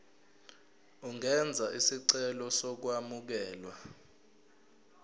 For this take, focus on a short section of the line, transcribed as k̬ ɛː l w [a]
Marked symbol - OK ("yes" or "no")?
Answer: yes